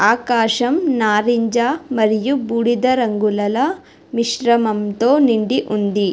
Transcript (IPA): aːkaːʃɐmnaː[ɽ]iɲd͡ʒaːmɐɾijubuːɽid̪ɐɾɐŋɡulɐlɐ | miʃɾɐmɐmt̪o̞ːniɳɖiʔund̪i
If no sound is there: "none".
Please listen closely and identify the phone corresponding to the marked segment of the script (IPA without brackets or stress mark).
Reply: ɾ